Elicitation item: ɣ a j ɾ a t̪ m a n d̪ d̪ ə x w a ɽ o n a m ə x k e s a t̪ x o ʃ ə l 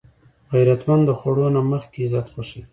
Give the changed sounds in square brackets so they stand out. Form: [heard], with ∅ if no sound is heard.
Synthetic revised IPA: ɣ a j ɾ a t̪ m a n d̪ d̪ ə x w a ɽ o n a m ə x k e [z] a t̪ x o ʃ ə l